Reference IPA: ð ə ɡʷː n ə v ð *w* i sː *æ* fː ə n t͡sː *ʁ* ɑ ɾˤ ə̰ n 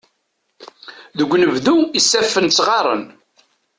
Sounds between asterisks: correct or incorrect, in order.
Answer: incorrect: u, correct, correct

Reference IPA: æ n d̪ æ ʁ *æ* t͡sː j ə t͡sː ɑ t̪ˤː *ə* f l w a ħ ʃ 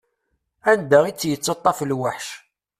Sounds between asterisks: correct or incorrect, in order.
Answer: incorrect: i, incorrect: ɑ

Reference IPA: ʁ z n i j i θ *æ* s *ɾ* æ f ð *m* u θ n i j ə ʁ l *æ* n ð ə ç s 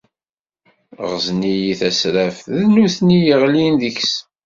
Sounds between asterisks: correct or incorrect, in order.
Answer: correct, correct, incorrect: n, incorrect: i

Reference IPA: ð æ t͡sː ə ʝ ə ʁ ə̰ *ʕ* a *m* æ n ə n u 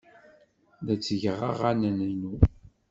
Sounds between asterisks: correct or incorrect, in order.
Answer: incorrect: ʁ, incorrect: n

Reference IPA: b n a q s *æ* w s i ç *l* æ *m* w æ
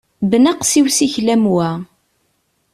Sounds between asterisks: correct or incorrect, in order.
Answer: incorrect: i, correct, correct

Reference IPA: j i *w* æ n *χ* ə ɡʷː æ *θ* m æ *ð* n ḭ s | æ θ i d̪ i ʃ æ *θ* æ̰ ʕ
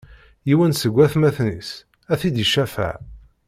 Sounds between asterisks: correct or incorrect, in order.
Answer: correct, incorrect: s, correct, incorrect: θ, incorrect: f

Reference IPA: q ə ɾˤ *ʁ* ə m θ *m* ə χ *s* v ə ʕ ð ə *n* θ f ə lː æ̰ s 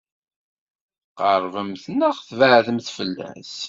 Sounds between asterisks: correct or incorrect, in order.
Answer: incorrect: v, incorrect: n, incorrect: θ, incorrect: m

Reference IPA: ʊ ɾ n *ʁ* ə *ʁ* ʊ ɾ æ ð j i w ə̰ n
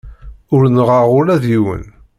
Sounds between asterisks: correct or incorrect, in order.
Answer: correct, correct

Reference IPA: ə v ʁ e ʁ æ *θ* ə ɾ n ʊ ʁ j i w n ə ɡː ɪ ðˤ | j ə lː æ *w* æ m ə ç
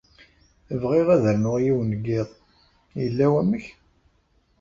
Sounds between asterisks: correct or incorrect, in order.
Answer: incorrect: ð, correct

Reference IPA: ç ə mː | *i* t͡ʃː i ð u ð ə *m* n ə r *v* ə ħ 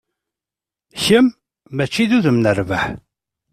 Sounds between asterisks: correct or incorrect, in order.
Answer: incorrect: æ, correct, correct

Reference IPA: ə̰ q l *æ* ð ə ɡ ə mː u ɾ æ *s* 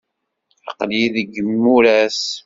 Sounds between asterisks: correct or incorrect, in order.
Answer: incorrect: i, correct

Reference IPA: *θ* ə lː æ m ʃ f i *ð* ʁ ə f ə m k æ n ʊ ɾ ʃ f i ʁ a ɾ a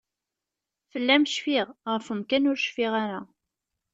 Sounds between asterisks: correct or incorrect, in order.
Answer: incorrect: f, incorrect: ʁ

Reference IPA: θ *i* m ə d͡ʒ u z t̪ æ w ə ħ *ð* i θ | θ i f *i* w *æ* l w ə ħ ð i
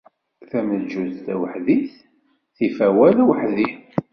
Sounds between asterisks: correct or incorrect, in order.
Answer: incorrect: æ, correct, incorrect: æ, correct

